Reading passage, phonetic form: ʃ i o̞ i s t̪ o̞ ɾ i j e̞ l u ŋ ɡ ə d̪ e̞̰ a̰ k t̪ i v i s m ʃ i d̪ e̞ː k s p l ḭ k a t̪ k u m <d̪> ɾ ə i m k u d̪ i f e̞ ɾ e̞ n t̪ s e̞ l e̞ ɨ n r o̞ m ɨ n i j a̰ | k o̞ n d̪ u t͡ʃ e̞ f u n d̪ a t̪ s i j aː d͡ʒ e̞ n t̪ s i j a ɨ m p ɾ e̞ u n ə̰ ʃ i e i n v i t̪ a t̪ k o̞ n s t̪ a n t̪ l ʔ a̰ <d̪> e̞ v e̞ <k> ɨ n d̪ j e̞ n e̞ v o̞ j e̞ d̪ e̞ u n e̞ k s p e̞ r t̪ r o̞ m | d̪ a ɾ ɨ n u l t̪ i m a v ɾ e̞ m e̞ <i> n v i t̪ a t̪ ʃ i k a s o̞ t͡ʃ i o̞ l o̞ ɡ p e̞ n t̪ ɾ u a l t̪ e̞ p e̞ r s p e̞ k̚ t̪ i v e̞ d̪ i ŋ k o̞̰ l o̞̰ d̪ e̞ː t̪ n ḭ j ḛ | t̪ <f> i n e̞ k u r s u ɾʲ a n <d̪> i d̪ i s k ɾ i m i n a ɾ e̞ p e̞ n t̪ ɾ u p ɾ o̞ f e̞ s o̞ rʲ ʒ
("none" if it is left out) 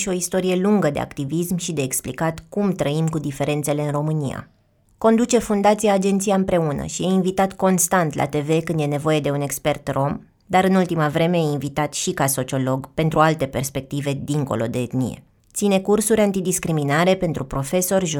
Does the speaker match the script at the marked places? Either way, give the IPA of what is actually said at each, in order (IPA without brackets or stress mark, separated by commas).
t̪, t̪, k, i, s, t̪